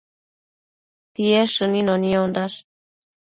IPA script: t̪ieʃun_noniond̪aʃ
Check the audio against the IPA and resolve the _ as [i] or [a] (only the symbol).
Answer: i